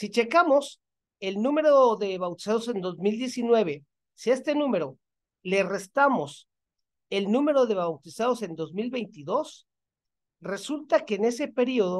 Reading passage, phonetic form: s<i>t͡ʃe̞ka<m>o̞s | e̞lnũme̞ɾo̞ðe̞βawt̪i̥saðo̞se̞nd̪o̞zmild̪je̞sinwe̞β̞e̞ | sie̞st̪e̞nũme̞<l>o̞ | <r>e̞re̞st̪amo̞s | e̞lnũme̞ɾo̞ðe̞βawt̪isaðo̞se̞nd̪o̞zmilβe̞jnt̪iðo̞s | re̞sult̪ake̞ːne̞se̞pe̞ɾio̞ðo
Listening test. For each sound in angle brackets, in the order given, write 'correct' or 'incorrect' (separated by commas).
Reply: correct, correct, incorrect, incorrect